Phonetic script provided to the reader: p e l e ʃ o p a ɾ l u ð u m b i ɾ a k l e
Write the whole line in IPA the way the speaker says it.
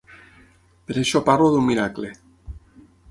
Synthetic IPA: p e ɾ e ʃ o p a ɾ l o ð u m m i ɾ a k l e